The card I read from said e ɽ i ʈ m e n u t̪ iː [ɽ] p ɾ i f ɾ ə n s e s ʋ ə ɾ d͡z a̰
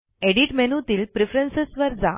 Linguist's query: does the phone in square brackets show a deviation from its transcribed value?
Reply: yes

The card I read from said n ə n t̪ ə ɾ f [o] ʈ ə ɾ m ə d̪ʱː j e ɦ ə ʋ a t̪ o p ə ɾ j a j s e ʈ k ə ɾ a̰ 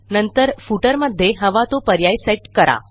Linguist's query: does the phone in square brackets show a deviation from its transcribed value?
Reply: yes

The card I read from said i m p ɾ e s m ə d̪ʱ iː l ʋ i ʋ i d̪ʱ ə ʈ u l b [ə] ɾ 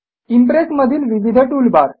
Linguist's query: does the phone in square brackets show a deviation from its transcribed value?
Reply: yes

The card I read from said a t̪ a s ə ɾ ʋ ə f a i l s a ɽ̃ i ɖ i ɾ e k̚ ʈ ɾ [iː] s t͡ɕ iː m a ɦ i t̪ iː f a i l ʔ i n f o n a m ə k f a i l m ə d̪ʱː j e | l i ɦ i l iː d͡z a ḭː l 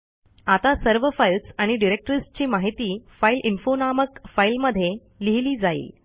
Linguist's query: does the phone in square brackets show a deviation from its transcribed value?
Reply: yes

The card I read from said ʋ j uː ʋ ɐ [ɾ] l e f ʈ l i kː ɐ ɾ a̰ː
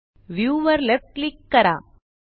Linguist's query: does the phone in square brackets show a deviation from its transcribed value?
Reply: no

